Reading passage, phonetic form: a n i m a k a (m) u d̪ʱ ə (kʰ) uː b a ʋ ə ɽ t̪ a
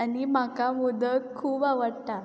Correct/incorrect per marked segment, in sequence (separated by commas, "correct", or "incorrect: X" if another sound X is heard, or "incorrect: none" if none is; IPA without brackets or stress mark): correct, correct